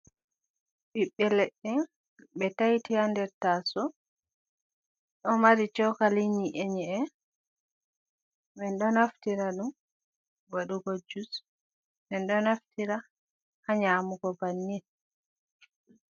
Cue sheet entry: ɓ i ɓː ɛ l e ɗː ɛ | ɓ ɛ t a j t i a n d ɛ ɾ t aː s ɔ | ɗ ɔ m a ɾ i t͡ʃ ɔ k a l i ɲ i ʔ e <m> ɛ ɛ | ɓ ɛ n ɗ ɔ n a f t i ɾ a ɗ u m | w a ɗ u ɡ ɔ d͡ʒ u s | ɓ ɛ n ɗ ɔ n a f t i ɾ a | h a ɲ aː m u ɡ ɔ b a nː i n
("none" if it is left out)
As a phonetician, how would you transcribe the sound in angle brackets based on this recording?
ɲ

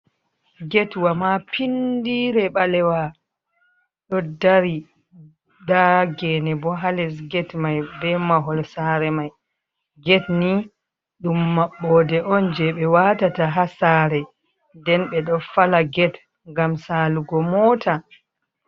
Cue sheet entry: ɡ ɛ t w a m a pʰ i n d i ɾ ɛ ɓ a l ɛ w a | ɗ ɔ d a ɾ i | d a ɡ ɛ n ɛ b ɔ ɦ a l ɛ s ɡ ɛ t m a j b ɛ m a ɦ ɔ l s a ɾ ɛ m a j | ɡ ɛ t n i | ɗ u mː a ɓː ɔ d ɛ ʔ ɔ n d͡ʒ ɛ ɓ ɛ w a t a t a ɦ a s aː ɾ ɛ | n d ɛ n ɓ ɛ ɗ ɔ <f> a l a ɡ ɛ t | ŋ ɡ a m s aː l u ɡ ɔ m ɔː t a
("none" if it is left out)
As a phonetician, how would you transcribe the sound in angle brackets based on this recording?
f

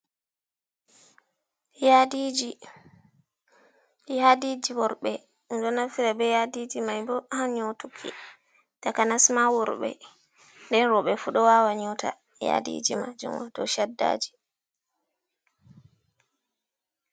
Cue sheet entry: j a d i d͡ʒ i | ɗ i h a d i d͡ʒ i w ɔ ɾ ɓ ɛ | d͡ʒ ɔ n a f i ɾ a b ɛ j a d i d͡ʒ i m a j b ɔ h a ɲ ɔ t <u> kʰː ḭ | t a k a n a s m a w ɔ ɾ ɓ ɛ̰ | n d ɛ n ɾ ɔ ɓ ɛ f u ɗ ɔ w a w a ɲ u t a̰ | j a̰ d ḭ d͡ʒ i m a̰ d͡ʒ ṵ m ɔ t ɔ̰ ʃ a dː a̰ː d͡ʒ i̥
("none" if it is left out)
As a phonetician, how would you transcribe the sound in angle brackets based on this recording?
u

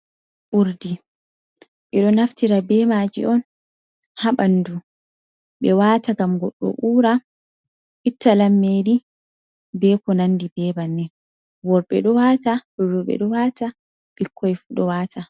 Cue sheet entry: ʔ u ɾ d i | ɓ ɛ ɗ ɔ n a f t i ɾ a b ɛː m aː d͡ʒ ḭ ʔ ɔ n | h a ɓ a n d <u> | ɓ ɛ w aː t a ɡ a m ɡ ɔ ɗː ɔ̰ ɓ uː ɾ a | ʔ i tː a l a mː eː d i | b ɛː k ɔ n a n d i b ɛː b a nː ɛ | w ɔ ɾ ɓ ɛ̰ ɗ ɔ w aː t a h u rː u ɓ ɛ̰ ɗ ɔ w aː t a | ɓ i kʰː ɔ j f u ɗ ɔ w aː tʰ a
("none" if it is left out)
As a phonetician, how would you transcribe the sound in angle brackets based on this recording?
u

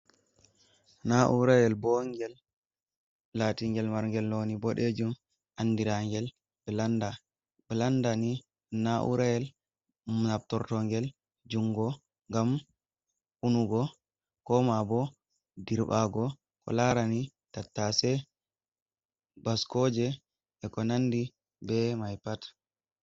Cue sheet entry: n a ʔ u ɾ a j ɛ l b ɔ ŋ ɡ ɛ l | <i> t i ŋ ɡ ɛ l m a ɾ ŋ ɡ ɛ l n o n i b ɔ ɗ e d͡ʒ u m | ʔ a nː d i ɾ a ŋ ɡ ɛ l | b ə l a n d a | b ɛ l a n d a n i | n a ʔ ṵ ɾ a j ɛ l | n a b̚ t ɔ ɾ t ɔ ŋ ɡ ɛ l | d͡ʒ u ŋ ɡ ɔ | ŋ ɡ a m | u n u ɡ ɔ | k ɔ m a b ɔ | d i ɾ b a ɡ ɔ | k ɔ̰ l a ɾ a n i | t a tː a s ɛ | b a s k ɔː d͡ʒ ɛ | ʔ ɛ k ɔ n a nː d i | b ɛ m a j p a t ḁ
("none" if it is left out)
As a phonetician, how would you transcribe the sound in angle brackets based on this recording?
a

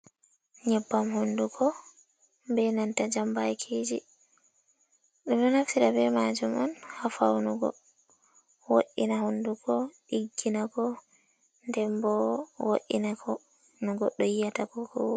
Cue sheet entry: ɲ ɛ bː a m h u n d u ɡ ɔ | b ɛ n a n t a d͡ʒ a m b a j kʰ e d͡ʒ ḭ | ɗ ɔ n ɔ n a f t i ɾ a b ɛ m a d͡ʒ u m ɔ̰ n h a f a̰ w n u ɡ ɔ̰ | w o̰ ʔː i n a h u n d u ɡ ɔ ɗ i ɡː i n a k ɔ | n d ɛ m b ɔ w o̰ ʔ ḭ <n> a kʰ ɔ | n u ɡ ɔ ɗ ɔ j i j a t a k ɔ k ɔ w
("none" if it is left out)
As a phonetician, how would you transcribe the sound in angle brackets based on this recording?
n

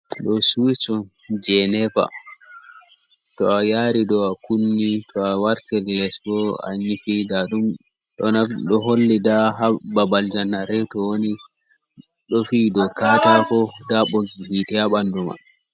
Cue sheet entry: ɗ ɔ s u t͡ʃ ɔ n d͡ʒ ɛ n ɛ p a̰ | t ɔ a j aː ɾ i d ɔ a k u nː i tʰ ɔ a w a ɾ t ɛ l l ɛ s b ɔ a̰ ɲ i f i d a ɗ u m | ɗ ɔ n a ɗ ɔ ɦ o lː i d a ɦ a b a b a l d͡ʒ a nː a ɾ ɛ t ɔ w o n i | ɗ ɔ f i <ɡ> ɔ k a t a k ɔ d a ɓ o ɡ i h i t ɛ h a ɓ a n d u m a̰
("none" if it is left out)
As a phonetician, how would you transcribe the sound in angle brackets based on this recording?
d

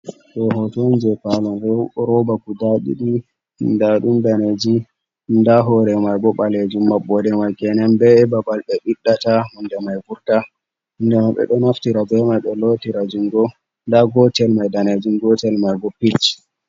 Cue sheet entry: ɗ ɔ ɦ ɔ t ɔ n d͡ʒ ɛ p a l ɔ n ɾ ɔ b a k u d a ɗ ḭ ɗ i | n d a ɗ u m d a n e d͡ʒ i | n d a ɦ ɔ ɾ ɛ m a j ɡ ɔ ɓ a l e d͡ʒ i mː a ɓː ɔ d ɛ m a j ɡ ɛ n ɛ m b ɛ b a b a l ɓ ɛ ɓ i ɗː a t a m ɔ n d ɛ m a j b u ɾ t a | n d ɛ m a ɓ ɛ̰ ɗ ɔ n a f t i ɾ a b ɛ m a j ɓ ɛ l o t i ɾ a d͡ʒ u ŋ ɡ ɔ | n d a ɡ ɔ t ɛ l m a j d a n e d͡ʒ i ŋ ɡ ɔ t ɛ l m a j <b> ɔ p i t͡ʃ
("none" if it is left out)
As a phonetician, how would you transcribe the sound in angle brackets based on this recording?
ɡ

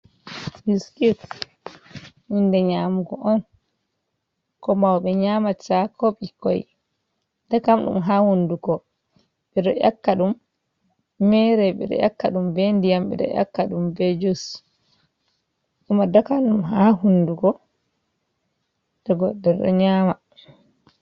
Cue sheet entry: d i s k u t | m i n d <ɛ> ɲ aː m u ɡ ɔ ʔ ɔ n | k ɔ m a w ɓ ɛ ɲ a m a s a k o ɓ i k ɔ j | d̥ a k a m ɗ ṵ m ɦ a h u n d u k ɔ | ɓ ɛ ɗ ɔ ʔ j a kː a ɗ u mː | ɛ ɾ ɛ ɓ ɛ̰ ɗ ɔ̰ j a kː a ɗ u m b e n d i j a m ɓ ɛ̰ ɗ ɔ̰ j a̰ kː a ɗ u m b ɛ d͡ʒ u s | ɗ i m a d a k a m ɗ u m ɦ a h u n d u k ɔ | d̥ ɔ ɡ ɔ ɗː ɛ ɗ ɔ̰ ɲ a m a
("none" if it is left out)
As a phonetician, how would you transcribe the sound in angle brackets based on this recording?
ɛ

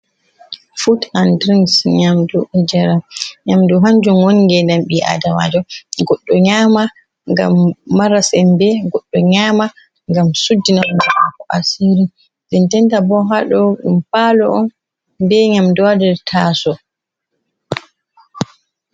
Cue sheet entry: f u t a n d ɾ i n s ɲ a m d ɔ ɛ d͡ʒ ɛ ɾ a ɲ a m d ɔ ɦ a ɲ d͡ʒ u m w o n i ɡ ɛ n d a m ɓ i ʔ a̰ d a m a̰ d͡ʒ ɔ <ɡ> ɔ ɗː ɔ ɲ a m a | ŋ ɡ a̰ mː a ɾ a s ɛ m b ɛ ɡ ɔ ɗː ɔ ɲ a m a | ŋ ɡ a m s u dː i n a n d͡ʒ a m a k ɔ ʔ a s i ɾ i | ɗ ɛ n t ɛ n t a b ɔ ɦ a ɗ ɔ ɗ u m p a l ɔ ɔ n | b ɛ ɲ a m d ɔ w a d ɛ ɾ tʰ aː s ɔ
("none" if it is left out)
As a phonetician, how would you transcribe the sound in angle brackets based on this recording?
ɡ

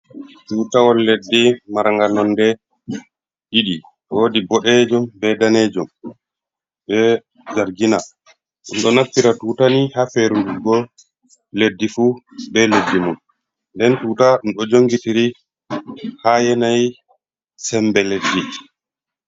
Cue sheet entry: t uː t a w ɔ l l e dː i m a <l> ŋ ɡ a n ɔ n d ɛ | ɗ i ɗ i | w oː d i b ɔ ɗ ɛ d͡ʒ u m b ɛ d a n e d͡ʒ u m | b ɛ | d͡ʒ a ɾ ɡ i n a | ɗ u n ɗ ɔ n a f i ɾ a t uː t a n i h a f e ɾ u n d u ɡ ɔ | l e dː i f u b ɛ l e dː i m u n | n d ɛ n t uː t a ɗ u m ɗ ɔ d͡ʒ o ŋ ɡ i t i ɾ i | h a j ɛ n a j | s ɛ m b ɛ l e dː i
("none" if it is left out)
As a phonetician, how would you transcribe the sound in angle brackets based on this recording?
ɾ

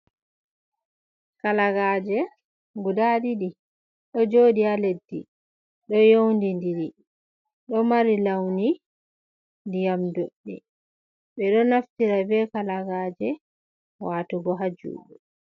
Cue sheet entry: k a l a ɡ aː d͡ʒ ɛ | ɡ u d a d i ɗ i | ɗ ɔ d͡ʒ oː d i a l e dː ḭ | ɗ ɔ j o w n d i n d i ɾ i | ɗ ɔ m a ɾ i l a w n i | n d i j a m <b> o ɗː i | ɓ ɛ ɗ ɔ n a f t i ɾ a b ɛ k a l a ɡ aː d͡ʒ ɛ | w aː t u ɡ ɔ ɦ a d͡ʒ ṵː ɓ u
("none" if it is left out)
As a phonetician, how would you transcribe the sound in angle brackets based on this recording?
d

